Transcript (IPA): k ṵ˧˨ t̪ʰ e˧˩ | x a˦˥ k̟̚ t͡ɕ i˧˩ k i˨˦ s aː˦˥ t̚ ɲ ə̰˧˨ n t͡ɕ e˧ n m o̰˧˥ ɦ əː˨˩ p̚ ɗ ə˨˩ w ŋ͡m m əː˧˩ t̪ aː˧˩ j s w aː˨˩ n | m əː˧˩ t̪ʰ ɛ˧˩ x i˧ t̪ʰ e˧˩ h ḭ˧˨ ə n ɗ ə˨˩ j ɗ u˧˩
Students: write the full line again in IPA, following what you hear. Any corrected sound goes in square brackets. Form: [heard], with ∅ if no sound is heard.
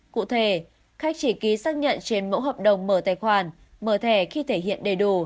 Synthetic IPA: k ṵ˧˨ t̪ʰ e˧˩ | x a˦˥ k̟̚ t͡ɕ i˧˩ k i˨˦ s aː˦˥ [k̚] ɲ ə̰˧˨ n t͡ɕ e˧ n m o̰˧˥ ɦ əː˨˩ p̚ ɗ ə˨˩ w ŋ͡m m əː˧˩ t̪ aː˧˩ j [x] w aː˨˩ n | m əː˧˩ t̪ʰ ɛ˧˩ x i˧ t̪ʰ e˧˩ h ḭ˧˨ ə n ɗ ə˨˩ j ɗ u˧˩